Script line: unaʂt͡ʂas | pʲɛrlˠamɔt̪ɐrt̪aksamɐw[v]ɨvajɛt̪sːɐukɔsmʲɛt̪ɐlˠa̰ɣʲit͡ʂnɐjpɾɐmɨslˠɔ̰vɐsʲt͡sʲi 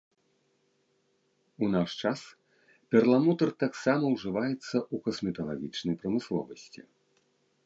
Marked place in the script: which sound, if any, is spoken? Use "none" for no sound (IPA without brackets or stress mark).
ʐ